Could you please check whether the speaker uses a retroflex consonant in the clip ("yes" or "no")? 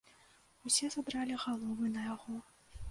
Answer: no